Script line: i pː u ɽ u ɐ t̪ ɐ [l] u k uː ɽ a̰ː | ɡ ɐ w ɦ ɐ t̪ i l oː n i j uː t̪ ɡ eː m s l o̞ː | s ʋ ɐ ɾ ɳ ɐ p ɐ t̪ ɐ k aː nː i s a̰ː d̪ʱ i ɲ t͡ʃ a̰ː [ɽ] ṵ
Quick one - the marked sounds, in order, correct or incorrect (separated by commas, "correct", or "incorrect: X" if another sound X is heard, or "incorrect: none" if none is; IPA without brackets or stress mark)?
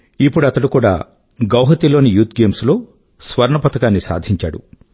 incorrect: ɽ, correct